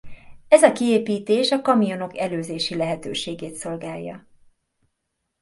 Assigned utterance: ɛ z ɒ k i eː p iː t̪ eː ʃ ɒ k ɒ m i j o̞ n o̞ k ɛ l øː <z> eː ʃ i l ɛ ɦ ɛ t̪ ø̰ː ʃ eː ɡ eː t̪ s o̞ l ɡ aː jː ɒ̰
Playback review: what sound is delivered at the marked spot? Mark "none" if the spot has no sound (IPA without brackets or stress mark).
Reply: z